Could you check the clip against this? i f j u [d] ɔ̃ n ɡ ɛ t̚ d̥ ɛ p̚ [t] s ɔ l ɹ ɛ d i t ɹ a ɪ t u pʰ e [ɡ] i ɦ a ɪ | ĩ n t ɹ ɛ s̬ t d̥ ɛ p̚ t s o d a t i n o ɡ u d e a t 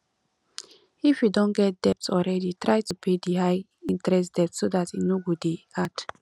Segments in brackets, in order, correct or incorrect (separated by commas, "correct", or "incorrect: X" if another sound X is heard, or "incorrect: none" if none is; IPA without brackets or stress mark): correct, correct, incorrect: d